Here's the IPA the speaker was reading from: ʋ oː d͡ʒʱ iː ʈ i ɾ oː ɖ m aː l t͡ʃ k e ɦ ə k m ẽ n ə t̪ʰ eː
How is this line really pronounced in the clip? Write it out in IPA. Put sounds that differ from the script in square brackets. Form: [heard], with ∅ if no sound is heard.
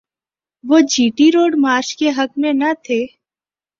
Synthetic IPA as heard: ʋ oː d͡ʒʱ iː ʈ i ɾ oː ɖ m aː [ɾ] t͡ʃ k e ɦ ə k m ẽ n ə t̪ʰ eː